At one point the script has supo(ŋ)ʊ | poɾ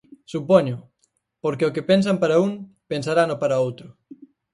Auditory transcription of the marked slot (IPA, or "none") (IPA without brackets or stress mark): ɲ